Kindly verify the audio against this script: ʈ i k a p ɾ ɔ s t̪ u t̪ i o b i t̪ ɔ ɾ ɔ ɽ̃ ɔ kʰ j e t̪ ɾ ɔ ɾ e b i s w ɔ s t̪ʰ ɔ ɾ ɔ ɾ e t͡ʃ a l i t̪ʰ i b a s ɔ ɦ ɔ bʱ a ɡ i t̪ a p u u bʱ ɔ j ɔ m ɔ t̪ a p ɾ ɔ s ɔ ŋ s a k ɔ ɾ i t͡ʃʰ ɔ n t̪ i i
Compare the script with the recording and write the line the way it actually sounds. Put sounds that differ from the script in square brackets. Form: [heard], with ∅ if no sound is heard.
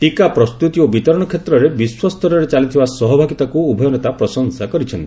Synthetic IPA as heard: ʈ i k a p ɾ ɔ s t̪ u t̪ i o b i t̪ ɔ ɾ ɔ ɽ̃ ɔ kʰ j e t̪ ɾ ɔ ɾ e b i s w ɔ s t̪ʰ ɔ ɾ ɔ ɾ e t͡ʃ a l i t̪ʰ i b a s ɔ ɦ ɔ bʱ a ɡ i t̪ a [k] u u bʱ ɔ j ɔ [n] ɔ t̪ a p ɾ ɔ s ɔ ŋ s a k ɔ ɾ i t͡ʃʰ ɔ n t̪ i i

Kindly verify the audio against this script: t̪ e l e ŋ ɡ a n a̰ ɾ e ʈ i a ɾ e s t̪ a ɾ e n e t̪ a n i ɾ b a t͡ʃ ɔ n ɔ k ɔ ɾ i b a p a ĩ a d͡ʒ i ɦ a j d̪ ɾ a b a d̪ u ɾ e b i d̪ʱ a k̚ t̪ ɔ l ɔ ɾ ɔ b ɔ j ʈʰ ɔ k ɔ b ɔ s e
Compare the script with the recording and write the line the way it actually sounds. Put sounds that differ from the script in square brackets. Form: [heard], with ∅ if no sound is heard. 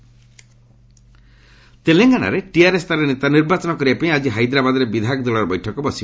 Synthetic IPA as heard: t̪ e l e ŋ ɡ a n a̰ ɾ e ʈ i a ɾ e s t̪ a ɾ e n e t̪ a n i ɾ b a t͡ʃ ɔ n ɔ k ɔ ɾ i b a p a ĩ a d͡ʒ i ɦ a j d̪ ɾ a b a d̪ [ɔ] ɾ e b i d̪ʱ a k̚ [d̪] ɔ l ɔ ɾ ɔ b ɔ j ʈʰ ɔ k ɔ b ɔ s [i]

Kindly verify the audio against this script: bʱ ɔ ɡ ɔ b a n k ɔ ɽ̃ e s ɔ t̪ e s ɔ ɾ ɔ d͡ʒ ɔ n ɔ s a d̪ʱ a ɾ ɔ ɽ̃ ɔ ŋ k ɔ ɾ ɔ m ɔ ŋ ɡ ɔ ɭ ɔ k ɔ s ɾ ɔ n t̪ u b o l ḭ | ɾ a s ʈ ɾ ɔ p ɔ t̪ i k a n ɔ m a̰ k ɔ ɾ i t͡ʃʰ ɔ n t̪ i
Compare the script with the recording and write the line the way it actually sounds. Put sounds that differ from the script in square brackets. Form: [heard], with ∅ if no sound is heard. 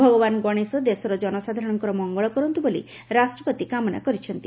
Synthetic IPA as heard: bʱ ɔ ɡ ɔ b a n [ɡ] ɔ ɽ̃ e s ɔ [d̪] e s ɔ ɾ ɔ d͡ʒ ɔ n ɔ s a d̪ʱ a ɾ ɔ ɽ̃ ɔ ŋ k ɔ ɾ ɔ m ɔ ŋ ɡ ɔ ɭ ɔ k ɔ [∅] ɾ ɔ n t̪ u b o l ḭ | ɾ a s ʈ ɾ ɔ p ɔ t̪ i k a [m] ɔ [n] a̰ k ɔ ɾ i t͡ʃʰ ɔ n t̪ i

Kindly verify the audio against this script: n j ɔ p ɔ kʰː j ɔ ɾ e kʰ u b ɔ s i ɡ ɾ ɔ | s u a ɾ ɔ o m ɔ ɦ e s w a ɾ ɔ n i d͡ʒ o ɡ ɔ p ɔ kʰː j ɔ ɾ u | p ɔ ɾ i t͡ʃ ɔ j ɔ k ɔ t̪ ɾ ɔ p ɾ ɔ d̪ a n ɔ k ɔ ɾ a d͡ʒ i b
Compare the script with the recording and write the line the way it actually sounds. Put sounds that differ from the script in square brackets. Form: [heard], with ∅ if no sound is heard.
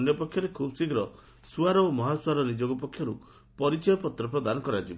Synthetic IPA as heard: n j ɔ p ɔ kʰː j ɔ ɾ e kʰ u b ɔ s i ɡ ɾ ɔ | s u a ɾ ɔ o m ɔ ɦ [a] s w a ɾ ɔ n i d͡ʒ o ɡ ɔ p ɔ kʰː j ɔ ɾ u | p ɔ ɾ i t͡ʃ ɔ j ɔ [p] ɔ t̪ ɾ ɔ p ɾ ɔ d̪ a n ɔ k ɔ ɾ a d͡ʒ i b

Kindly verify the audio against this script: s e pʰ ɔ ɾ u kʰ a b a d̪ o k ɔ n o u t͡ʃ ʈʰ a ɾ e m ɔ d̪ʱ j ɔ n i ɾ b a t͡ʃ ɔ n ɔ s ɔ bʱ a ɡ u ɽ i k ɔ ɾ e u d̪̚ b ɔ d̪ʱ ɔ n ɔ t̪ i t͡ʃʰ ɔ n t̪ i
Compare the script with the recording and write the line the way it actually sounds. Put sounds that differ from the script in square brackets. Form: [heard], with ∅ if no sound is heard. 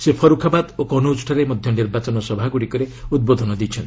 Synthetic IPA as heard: s e pʰ ɔ ɾ u kʰ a b a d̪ o k ɔ n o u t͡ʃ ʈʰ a ɾ e m ɔ d̪ʱ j ɔ n i ɾ b a t͡ʃ ɔ n ɔ s ɔ bʱ a ɡ u ɽ i k ɔ ɾ e u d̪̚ b [o] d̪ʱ ɔ n ɔ [d̪] i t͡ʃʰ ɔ n t̪ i

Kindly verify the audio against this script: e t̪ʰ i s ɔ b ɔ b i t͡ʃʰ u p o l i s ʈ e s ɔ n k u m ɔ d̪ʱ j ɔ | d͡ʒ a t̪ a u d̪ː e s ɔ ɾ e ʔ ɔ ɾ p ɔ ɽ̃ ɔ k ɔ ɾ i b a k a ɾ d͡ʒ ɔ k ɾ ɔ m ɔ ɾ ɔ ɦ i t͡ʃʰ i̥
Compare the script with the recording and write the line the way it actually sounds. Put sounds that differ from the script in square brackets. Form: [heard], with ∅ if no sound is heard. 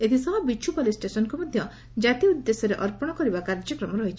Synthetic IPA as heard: e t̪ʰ i s ɔ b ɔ b i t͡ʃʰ u p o l i s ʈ e s ɔ n k u m ɔ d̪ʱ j ɔ | d͡ʒ a t̪ [i] u d̪ː e s ɔ ɾ e ʔ ɔ ɾ p ɔ ɽ̃ ɔ k ɔ ɾ i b a k a ɾ d͡ʒ ɔ k ɾ ɔ m ɔ ɾ ɔ ɦ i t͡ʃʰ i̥

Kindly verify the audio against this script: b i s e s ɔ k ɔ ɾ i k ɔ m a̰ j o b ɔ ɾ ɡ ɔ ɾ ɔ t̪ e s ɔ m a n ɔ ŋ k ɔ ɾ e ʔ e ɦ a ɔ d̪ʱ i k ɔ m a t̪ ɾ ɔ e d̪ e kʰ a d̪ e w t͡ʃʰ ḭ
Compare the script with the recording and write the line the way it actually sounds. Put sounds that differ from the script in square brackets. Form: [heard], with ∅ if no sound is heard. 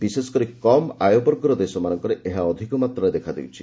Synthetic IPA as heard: b i s e s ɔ k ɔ ɾ i k ɔ m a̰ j o b ɔ ɾ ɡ ɔ ɾ ɔ [d̪] e s ɔ m a n ɔ ŋ k ɔ ɾ e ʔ e ɦ a ɔ d̪ʱ i k ɔ m a t̪ ɾ ɔ e d̪ e kʰ a d̪ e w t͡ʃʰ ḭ

